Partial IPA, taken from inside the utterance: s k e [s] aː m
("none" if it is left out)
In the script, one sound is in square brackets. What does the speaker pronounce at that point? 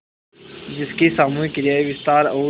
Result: s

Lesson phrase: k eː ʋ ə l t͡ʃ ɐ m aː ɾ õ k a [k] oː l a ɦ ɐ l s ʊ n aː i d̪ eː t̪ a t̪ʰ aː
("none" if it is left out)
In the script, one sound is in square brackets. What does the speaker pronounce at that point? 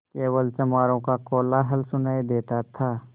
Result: k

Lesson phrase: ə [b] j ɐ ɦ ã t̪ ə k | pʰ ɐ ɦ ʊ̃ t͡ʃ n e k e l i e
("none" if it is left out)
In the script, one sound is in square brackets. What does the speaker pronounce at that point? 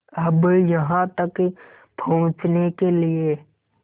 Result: b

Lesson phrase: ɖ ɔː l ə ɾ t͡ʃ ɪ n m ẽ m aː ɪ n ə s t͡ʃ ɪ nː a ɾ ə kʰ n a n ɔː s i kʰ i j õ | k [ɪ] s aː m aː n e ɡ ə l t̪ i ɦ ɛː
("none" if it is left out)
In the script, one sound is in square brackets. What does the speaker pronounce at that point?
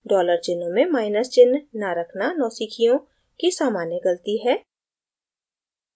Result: i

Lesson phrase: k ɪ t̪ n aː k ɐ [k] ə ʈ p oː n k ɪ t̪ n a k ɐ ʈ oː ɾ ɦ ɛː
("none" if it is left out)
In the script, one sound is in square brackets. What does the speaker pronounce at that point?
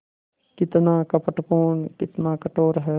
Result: p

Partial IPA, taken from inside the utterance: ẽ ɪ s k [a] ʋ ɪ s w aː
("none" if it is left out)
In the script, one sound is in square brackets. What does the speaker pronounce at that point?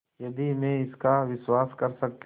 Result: a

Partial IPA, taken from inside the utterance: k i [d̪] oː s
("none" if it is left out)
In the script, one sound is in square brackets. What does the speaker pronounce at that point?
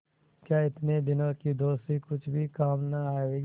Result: d̪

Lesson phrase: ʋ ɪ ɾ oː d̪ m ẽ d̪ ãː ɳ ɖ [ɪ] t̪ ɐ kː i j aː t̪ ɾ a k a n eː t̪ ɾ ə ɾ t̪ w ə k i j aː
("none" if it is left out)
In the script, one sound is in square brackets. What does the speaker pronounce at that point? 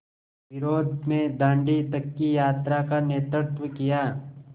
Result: i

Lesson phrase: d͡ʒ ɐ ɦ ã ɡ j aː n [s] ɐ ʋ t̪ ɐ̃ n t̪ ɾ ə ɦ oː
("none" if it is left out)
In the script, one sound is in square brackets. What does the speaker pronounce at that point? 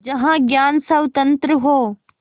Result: s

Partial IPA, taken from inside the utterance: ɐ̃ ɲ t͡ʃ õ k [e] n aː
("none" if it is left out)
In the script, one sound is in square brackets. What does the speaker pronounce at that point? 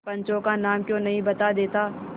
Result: a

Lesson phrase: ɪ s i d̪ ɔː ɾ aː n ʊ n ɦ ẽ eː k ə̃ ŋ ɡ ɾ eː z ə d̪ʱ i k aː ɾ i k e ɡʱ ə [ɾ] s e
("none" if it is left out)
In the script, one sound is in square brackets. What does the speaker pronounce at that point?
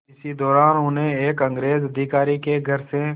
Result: ɾ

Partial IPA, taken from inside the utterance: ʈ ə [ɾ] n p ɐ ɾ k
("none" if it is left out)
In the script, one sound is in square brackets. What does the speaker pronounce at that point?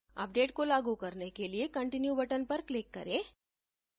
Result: none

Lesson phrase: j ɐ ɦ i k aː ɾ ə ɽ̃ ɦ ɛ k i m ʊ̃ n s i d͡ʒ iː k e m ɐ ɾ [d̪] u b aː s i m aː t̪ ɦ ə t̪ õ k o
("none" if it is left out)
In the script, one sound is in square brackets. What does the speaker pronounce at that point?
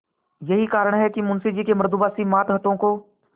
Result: d̪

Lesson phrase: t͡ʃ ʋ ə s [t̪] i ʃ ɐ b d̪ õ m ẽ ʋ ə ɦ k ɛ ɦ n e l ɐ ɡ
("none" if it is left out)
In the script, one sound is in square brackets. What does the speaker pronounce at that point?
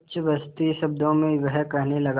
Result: t̪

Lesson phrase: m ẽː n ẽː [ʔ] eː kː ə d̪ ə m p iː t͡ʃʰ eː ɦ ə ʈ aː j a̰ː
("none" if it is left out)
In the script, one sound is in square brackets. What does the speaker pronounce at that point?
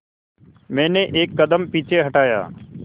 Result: ʔ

